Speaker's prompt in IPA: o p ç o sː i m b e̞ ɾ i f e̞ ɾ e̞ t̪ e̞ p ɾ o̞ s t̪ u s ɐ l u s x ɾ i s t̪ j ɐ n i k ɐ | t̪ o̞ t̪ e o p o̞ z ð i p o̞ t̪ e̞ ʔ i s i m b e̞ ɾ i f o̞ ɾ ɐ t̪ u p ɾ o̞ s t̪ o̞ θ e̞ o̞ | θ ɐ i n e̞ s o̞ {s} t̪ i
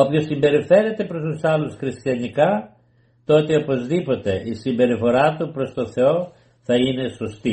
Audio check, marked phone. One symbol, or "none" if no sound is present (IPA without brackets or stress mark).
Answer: s